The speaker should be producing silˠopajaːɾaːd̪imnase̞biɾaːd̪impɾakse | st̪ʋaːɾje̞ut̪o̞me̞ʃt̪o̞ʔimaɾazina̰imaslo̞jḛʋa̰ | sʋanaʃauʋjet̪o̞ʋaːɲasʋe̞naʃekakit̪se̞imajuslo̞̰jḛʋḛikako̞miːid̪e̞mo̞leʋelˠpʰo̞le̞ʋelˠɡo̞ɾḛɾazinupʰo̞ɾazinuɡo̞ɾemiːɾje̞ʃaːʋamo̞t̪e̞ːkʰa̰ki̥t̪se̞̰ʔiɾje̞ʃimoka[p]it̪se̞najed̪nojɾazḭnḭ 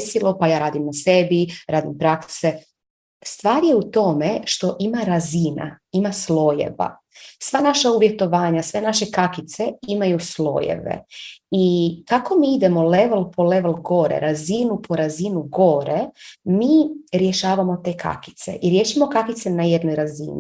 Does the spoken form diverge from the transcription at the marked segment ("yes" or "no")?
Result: yes